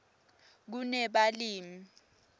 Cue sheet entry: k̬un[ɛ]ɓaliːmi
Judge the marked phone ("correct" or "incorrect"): correct